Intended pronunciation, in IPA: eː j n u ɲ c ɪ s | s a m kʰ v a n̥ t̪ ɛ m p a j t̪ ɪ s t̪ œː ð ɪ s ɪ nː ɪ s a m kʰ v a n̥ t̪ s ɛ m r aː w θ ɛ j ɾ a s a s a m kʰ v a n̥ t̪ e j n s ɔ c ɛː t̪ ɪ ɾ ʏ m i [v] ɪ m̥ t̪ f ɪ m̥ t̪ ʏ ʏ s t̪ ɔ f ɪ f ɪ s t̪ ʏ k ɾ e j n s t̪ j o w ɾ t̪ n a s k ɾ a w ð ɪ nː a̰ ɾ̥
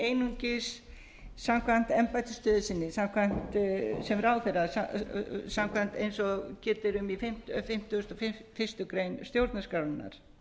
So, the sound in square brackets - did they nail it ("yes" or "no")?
no